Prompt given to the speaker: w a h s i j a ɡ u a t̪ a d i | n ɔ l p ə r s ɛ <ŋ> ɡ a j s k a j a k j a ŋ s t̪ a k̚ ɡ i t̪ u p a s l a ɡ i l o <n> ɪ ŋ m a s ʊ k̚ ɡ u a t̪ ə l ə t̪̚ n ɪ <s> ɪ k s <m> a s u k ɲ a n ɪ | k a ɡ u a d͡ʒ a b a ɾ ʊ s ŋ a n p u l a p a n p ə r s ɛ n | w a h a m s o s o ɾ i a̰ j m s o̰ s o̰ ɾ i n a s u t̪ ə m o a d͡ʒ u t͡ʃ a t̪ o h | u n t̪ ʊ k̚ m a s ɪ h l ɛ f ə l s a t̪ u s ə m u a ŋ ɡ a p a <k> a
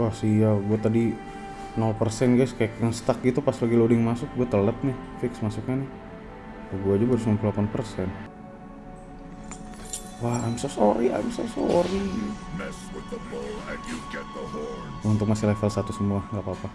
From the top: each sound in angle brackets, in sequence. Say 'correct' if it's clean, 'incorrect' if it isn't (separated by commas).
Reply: incorrect, incorrect, incorrect, correct, incorrect